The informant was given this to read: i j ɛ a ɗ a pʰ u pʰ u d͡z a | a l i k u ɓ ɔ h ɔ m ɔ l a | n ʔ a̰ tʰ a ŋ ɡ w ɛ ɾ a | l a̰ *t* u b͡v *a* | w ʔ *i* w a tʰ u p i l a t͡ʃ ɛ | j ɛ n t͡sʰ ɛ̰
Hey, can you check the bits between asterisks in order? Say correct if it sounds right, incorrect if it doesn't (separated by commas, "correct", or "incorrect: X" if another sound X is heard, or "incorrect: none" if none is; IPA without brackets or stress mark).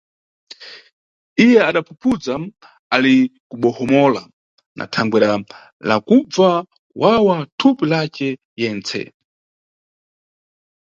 incorrect: k, correct, incorrect: a